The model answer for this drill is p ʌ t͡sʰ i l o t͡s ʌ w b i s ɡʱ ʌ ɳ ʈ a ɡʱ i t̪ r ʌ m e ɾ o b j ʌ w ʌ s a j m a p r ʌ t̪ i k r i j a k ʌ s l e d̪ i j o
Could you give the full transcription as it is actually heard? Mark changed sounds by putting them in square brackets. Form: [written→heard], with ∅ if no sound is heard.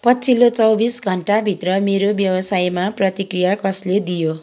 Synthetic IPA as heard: p ʌ t͡sʰ i l o t͡s ʌ w b i s ɡʱ ʌ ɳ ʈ a [ɡʱ→bʱ] i t̪ r ʌ m e ɾ o b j ʌ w ʌ s a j m a p r ʌ t̪ i k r i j a k ʌ s l e d̪ i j o